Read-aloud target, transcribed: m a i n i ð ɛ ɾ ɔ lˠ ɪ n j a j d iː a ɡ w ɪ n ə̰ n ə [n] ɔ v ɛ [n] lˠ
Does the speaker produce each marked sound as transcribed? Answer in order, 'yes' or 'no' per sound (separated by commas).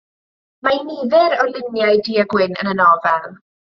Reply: yes, no